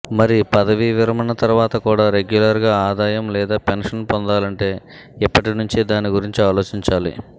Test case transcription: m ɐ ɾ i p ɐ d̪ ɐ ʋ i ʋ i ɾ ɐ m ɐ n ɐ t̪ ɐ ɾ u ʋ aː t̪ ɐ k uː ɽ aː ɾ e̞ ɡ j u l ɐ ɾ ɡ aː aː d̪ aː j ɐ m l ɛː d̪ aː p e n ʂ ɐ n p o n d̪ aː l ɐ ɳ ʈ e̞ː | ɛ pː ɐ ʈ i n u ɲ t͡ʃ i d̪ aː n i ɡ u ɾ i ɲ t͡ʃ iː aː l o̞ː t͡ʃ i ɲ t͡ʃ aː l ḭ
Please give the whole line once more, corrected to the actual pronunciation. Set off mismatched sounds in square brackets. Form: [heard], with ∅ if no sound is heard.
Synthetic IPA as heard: m ɐ ɾ i p ɐ d̪ ɐ ʋ i ʋ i ɾ ɐ m ɐ n ɐ t̪ ɐ ɾ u ʋ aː t̪ ɐ k uː ɽ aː ɾ e̞ ɡ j u l ɐ ɾ ɡ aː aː d̪ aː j ɐ m l ɛː d̪ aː p e n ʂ ɐ n p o n d̪ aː l ɐ ɳ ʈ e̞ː | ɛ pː ɐ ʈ i n u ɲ t͡ʃ i d̪ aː n i ɡ u ɾ i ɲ t͡ʃ [i] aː l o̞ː t͡ʃ i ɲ t͡ʃ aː l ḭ